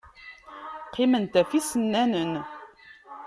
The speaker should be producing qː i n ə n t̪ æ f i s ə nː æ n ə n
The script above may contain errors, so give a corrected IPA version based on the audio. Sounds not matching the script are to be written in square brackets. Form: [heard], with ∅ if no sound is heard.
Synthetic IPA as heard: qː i [m] ə n t̪ æ f i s ə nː æ n ə n